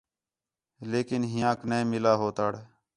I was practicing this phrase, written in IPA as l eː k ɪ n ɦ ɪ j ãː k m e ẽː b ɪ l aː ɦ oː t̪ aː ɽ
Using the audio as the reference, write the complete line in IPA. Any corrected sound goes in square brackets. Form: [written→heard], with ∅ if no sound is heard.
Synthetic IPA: l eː k ɪ n ɦ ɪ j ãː k [m→n] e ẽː [b→m] ɪ l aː ɦ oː t̪ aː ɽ